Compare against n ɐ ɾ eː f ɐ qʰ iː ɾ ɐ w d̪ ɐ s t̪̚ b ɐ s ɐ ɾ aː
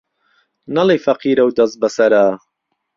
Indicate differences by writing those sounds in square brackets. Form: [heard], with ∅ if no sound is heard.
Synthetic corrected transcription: n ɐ [l] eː f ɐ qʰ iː ɾ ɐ w d̪ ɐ s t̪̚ b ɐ s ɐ ɾ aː